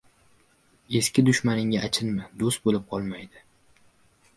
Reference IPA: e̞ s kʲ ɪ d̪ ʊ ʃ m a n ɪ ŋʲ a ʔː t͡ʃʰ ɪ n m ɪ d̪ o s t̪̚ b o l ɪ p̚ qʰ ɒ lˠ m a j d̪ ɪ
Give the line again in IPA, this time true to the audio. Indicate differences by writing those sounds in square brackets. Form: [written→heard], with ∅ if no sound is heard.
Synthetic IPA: e̞ s kʲ ɪ d̪ ʊ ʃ m a n ɪ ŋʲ a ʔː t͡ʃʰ ɪ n m ɪ d̪ o s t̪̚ b o l ɪ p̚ qʰ ɒ lˠ m a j d̪ ɪ

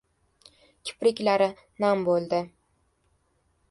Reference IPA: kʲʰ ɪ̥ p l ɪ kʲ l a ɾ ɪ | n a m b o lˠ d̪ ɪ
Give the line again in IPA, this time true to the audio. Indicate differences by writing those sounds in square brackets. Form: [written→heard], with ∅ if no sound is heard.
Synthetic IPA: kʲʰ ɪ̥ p [l→ɾ] ɪ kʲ l a ɾ ɪ | n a m b o lˠ d̪ ɪ

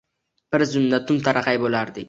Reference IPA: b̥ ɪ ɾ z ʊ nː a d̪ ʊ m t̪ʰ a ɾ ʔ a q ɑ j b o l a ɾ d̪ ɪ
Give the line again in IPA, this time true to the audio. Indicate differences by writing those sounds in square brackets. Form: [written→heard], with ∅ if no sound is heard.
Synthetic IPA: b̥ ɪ ɾ z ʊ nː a [d̪→t̪] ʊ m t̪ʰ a ɾ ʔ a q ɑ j b o l a ɾ d̪ ɪ

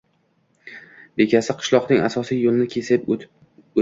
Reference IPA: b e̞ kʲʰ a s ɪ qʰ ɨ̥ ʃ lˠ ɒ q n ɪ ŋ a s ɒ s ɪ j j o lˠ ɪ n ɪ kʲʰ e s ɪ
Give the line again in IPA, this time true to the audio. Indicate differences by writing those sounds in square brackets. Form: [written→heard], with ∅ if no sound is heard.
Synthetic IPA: b e̞ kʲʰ a s ɪ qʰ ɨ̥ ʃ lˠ ɒ q n ɪ ŋ a s ɒ s [ɪ→i] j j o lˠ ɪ n ɪ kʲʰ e s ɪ

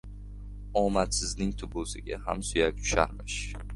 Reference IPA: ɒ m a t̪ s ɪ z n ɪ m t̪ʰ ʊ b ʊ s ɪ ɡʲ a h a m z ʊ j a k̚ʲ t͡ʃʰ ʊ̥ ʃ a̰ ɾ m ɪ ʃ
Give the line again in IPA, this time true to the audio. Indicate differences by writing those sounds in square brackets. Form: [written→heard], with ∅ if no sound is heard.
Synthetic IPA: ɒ m a t̪ s ɪ z n ɪ [m→ŋ] t̪ʰ ʊ b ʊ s ɪ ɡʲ a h a m [z→s] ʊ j a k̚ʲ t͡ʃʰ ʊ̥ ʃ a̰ ɾ m ɪ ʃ

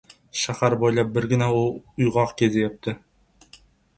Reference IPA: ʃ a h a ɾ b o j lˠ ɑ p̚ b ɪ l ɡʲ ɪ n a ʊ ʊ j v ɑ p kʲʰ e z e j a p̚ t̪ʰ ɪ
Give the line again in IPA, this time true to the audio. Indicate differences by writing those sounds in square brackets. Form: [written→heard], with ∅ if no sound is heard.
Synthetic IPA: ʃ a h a ɾ b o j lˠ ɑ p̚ b ɪ [l→ɾ] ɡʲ ɪ n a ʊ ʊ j [v→ʁ] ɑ [p→q] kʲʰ e z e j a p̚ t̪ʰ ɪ

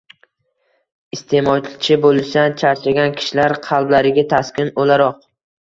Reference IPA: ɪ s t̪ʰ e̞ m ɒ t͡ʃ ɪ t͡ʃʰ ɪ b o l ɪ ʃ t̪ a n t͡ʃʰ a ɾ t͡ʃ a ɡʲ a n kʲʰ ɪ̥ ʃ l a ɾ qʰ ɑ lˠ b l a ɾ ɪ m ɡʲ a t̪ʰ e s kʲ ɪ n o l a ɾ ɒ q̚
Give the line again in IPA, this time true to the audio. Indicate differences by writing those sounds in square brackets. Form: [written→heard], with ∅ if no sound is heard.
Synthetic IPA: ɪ s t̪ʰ e̞ m ɒ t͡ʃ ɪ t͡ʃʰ ɪ b o l ɪ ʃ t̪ a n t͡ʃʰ a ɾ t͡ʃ a ɡʲ a n kʲʰ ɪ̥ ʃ l a ɾ qʰ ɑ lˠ b l a ɾ ɪ [m→∅] ɡʲ a t̪ʰ [e→a] s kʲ ɪ n o l a ɾ ɒ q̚

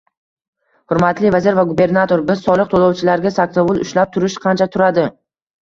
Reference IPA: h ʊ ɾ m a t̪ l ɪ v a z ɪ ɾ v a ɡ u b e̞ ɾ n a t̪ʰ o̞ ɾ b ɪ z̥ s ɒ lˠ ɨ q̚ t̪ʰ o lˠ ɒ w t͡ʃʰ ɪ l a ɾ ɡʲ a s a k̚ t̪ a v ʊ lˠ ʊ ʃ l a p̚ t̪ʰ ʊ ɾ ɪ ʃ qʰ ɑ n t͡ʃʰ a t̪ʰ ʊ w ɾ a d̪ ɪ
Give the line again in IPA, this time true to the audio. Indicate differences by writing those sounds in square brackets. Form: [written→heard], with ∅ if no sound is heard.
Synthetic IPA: h ʊ ɾ m a t̪ l ɪ v a z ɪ ɾ v a ɡ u b e̞ ɾ n a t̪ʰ o̞ ɾ b ɪ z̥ s ɒ lˠ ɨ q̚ t̪ʰ o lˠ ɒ w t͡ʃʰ ɪ l a ɾ ɡʲ a s a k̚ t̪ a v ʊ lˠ ʊ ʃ l a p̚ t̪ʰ ʊ ɾ ɪ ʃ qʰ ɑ n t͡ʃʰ a t̪ʰ ʊ [w→∅] ɾ a d̪ ɪ

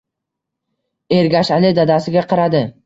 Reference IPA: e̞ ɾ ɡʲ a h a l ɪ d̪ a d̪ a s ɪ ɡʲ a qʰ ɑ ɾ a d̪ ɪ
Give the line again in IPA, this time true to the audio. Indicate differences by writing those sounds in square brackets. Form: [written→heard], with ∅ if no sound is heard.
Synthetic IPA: e̞ ɾ ɡʲ a [h→ʃ] a l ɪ d̪ a d̪ a s ɪ ɡʲ a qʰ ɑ ɾ a d̪ ɪ

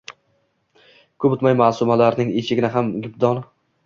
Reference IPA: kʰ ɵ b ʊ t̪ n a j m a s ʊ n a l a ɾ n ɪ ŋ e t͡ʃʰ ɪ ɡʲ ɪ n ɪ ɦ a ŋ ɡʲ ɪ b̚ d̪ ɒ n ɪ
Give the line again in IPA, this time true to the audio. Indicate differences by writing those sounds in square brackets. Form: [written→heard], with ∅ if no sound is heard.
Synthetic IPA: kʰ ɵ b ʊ t̪ [n→m] a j m a s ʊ [n→m] a l a ɾ n ɪ ŋ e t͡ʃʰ ɪ ɡʲ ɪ n ɪ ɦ a [ŋ→m] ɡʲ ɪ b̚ d̪ ɒ n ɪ

